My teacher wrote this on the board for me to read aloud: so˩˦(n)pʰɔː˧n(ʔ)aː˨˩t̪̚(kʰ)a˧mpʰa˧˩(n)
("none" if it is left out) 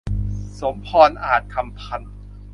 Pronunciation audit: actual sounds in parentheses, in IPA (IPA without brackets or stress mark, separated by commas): m, ʔ, kʰ, n